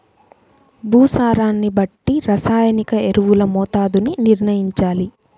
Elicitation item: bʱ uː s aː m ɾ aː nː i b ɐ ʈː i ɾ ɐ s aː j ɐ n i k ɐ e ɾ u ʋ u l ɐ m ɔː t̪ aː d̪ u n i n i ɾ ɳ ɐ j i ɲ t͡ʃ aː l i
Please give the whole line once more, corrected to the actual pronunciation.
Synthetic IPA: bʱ uː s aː ɾ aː nː i b ɐ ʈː i ɾ ɐ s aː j ɐ n i k ɐ e ɾ u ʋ u l ɐ m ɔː t̪ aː d̪ u n i n i ɾ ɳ ɐ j i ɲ t͡ʃ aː l i

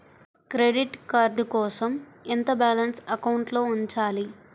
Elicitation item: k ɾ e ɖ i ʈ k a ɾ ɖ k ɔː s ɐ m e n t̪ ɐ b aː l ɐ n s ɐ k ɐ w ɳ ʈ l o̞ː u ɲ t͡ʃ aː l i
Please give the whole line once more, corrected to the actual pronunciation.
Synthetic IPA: k ɾ e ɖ i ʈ k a ɾ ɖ k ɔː s ɐ m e n t̪ ɐ b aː l ɐ n s ɐ k ɐ w ɳ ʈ l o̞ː u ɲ t͡ʃ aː l i

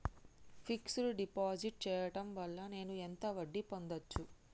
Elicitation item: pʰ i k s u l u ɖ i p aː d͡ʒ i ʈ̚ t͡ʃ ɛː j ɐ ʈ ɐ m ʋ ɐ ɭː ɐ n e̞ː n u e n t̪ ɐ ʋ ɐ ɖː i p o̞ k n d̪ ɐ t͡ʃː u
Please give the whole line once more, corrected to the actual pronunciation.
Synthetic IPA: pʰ i k s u l u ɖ i p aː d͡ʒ i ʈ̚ t͡ʃ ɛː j ɐ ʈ ɐ m ʋ ɐ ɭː ɐ n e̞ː n u e n t̪ ɐ ʋ ɐ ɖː i p o̞ n d̪ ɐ t͡ʃː u

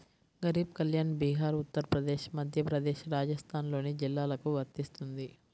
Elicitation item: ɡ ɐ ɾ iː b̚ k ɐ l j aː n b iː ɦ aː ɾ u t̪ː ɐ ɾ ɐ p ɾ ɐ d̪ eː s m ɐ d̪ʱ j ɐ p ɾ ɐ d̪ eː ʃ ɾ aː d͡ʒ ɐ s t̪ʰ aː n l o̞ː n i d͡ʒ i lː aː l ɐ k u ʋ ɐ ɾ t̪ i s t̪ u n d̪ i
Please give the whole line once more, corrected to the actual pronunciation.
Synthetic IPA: ɡ ɐ ɾ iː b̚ k ɐ l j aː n b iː ɦ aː ɾ u t̪ː ɐ ɾ ɐ p ɾ ɐ d̪ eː ʃ m ɐ d̪ʱ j ɐ p ɾ ɐ d̪ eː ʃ ɾ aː d͡ʒ ɐ s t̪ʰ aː n l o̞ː n i d͡ʒ i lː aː l ɐ k u ʋ ɐ ɾ t̪ i s t̪ u n d̪ i

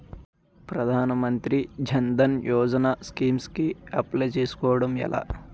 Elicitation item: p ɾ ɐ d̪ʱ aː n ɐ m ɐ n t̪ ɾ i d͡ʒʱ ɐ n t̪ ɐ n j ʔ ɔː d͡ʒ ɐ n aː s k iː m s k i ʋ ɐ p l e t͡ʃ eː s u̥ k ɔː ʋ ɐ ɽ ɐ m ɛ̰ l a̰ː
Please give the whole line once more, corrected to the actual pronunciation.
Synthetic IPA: p ɾ ɐ d̪ʱ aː n ɐ m ɐ n t̪ ɾ i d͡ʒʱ ɐ n d̪ ɐ n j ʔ ɔː d͡ʒ ɐ n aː s k iː m s k i ɐ p l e t͡ʃ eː s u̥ k ɔː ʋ ɐ ɽ ɐ m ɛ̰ l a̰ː

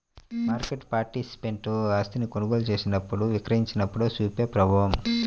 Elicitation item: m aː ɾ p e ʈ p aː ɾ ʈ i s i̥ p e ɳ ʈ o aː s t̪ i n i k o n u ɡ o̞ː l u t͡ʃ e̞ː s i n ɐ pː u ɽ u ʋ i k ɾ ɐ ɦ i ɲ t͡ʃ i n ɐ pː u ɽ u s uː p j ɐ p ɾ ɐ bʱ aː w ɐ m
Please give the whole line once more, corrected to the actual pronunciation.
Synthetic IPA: m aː ɾ k e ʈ p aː ɾ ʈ i s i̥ p e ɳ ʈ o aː s t̪ i n i k o n u ɡ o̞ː l u t͡ʃ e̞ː s i n ɐ pː u ɽ u ʋ i k ɾ ɐ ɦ i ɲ t͡ʃ i n ɐ pː u ɽ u s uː p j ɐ p ɾ ɐ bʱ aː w ɐ m

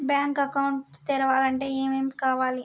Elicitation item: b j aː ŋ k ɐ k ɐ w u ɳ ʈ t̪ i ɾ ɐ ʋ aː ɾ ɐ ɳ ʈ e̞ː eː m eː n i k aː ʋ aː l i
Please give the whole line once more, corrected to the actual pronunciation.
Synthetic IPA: b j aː ŋ k ɐ k ɐ w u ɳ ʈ t̪ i ɾ ɐ ʋ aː l ɐ ɳ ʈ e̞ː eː m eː m i k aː ʋ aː l i

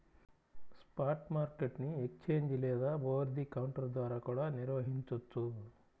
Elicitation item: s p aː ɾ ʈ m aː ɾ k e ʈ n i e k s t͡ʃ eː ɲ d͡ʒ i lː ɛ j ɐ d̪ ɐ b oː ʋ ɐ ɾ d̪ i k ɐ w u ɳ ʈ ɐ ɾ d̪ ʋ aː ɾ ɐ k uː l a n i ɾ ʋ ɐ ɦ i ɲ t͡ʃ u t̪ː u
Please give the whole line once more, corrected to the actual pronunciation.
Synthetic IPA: s p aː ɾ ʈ m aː ɾ k e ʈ n i e k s t͡ʃ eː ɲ d͡ʒ i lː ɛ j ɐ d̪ ɐ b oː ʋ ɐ ɾ d̪ i k ɐ w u ɳ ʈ ɐ ɾ d̪ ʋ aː ɾ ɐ k uː ɽ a n i ɾ ʋ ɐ ɦ i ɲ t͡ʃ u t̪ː u

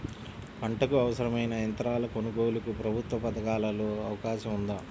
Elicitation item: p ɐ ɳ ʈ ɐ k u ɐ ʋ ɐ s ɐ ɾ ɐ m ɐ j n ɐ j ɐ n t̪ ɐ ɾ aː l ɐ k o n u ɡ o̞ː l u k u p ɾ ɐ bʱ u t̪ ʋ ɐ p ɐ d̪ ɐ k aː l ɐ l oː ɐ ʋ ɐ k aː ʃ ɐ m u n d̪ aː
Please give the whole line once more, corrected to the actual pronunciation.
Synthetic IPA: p ɐ ɳ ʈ ɐ k u ɐ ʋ ɐ s ɐ ɾ ɐ m ɐ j n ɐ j ɐ n t̪ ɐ ɾ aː l ɐ k o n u ɡ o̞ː l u k u p ɾ ɐ bʱ u t̪ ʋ ɐ p ɐ d̪ ɐ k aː l ɐ l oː ɐ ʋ ɐ k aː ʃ ɐ m u n d̪ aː

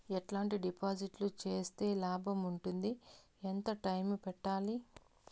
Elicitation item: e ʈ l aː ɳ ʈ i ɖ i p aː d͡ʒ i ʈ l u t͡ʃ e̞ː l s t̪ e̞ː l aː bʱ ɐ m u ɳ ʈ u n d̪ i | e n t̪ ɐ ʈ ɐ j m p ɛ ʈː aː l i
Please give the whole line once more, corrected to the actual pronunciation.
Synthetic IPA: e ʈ l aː ɳ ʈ i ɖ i p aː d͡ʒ i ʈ l u t͡ʃ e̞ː s t̪ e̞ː l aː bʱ ɐ m u ɳ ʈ u n d̪ i | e n t̪ ɐ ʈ ɐ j m p ɛ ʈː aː l i

